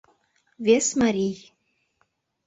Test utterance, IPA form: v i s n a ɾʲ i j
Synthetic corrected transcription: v e s m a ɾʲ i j